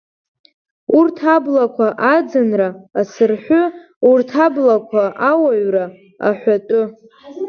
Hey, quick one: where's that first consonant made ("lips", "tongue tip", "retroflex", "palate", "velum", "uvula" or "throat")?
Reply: tongue tip